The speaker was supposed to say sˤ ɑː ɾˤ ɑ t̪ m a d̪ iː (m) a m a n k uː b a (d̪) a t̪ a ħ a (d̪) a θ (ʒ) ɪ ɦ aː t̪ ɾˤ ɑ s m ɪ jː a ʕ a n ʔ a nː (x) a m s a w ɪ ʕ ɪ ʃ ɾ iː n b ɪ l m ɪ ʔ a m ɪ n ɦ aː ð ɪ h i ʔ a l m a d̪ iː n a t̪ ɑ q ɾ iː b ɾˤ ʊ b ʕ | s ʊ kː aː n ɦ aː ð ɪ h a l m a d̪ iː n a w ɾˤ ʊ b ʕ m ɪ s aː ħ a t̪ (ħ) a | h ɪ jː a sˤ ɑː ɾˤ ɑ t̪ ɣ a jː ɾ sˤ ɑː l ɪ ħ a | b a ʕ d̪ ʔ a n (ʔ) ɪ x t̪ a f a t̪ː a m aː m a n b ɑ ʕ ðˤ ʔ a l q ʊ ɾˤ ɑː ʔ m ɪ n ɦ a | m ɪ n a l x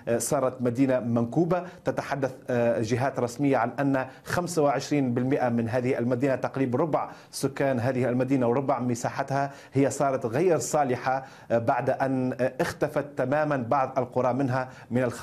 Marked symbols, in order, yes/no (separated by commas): no, no, no, yes, yes, no, yes